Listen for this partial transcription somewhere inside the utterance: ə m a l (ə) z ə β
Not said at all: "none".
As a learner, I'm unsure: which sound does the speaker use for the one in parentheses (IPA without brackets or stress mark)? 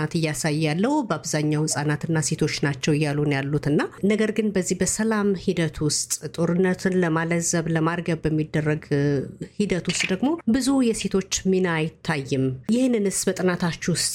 ə